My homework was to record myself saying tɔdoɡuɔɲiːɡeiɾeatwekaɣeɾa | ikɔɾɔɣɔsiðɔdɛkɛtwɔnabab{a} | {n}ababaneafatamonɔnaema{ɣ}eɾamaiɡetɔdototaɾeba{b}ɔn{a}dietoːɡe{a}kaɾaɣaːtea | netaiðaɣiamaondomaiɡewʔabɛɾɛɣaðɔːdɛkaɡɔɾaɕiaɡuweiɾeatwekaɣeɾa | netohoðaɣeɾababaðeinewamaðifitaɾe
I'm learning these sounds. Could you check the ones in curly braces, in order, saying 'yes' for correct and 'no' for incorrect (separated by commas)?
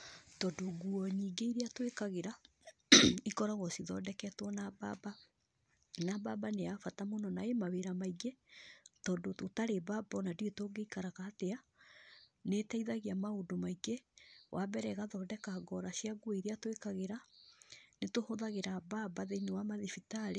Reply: yes, yes, no, yes, yes, no